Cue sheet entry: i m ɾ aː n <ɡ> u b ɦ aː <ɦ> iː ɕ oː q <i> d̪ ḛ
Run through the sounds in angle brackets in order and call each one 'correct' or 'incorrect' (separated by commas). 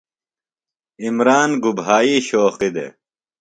correct, incorrect, correct